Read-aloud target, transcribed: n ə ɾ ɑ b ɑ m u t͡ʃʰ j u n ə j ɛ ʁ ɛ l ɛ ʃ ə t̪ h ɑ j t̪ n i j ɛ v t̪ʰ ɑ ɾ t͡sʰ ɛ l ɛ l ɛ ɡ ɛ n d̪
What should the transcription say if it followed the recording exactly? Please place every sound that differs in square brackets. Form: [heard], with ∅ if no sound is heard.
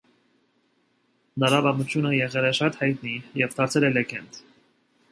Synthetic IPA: n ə ɾ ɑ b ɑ m u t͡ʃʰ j u n ə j ɛ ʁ ɛ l ɛ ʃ [ɑ] t̪ h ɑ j t̪ n i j ɛ v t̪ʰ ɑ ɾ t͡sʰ ɛ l ɛ l ɛ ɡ ɛ n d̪